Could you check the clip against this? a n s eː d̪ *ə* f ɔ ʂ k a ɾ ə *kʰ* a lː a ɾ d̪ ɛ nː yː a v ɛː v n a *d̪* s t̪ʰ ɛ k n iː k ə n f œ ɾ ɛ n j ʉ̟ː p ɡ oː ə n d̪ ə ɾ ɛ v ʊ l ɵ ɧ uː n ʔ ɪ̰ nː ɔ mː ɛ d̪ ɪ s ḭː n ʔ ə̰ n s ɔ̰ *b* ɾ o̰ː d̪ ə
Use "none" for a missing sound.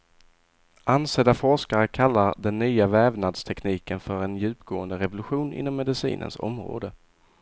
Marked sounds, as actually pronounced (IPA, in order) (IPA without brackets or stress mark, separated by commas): a, kʰ, d̪, m